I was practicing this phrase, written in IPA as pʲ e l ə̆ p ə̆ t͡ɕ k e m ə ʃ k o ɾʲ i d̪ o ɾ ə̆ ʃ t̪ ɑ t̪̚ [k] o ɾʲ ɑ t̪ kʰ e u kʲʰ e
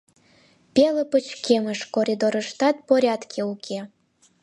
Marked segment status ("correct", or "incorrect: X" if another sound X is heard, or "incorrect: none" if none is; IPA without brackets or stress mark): incorrect: p